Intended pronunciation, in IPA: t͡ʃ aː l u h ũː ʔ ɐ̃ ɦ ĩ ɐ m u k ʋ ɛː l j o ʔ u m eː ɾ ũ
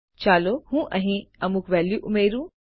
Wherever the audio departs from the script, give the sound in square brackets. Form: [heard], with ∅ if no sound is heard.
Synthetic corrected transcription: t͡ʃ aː l [o] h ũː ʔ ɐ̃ ɦ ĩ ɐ m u k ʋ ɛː l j [u] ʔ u m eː ɾ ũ